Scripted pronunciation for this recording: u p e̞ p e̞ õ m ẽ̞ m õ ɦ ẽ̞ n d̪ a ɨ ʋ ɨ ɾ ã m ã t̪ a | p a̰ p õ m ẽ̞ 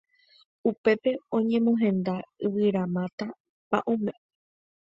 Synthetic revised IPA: u p e̞ p e̞ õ ɲ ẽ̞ m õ ɦ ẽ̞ n d̪ a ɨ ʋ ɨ ɾ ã m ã t̪ a | p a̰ ʔ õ m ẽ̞